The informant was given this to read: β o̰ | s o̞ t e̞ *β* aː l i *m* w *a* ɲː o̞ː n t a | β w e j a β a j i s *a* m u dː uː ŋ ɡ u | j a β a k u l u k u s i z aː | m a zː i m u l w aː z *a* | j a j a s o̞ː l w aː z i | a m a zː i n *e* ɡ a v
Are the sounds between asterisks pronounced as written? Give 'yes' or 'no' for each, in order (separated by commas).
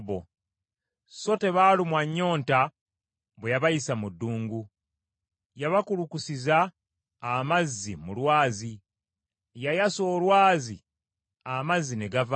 yes, yes, yes, yes, no, yes